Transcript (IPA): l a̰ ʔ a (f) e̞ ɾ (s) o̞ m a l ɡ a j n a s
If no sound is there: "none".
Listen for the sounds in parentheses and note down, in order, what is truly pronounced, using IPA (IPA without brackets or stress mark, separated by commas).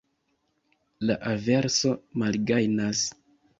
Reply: v, s